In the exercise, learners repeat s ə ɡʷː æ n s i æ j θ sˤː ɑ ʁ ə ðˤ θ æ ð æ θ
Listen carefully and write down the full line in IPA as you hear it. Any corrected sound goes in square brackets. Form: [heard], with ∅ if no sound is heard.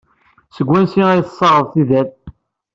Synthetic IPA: s ə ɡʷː æ n s i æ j θ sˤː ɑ ʁ ə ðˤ θ [i] ð æ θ